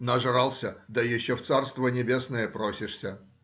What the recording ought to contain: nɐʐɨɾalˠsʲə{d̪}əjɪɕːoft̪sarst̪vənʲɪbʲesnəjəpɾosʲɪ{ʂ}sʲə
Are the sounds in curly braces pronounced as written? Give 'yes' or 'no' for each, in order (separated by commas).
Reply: yes, yes